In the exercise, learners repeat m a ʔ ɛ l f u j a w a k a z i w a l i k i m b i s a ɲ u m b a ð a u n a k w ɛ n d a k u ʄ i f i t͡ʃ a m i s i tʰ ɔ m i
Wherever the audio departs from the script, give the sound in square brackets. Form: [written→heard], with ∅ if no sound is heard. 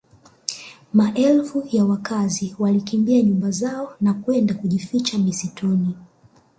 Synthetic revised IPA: m a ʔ ɛ l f u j a w a k a z i w a l i k i m b i [s→∅] a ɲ u m b a [ð→z] a [u→ɔ] n a k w ɛ n d a k u ʄ i f i t͡ʃ a m i s i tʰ ɔ [m→n] i